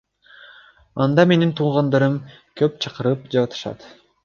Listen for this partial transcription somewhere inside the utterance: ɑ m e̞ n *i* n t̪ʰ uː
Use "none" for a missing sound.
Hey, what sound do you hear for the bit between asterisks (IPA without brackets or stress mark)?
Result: i